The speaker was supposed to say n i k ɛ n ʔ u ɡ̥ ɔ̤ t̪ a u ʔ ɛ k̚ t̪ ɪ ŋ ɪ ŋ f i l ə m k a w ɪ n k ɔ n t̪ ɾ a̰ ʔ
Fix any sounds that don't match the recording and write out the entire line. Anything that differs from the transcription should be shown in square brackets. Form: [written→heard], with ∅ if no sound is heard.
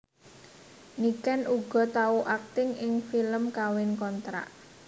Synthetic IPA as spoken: n i k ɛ n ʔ u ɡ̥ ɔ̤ t̪ a u ʔ [ɛ→a] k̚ t̪ ɪ ŋ ɪ ŋ f i l ə m k a w ɪ n k ɔ n t̪ ɾ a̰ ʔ